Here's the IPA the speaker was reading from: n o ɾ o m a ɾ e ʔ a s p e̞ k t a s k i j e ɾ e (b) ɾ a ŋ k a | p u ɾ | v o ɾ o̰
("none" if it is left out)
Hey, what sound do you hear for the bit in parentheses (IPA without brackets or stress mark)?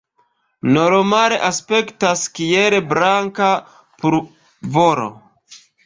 b